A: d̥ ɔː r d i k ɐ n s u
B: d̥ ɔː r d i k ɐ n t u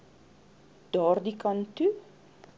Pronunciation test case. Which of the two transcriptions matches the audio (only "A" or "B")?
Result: B